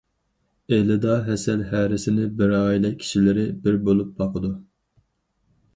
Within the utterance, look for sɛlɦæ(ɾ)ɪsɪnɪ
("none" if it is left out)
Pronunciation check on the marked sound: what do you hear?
ɾ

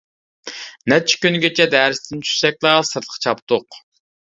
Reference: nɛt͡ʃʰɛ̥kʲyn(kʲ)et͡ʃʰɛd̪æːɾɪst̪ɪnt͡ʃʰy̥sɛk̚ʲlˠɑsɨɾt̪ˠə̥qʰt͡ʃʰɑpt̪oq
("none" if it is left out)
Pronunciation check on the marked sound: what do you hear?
ɡʲ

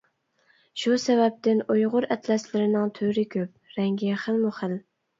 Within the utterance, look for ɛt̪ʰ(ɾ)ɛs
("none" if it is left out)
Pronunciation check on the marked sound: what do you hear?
l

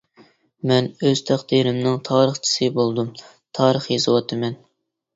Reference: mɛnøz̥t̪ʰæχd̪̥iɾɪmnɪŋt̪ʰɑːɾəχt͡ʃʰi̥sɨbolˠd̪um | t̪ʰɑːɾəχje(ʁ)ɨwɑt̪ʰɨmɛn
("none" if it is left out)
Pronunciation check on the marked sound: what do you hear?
z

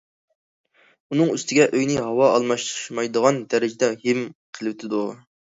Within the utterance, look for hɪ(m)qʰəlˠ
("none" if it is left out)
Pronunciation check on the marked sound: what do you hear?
m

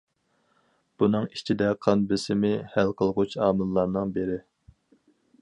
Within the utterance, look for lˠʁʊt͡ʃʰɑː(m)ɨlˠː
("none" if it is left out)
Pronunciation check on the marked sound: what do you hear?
m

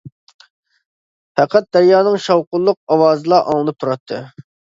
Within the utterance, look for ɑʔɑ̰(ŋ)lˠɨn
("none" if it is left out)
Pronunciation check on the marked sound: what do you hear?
ŋ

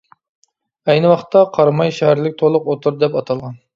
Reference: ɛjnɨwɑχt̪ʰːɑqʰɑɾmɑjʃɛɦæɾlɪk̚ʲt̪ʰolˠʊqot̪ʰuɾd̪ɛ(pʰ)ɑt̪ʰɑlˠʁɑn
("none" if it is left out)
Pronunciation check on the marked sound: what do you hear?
p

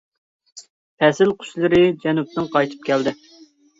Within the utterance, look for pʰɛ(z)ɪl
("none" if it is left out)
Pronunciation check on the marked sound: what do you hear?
s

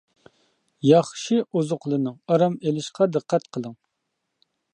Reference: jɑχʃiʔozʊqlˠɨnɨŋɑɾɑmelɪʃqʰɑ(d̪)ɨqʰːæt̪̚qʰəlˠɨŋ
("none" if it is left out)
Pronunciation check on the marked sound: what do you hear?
d̪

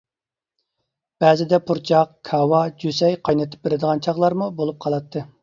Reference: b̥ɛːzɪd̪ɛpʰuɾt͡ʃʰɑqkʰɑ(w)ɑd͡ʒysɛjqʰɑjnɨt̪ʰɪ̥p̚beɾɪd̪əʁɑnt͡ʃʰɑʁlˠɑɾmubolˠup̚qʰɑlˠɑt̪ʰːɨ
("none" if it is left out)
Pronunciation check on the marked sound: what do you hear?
w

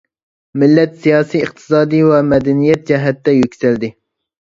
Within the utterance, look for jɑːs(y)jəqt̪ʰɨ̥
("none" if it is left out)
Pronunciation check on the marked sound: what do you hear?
i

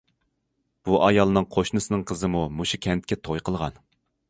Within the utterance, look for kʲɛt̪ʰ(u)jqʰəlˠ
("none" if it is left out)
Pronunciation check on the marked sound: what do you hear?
o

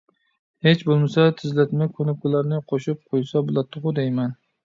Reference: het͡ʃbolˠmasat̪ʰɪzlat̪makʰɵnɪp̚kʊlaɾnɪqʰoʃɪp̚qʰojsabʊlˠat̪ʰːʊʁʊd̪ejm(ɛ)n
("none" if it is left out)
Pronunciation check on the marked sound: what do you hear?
a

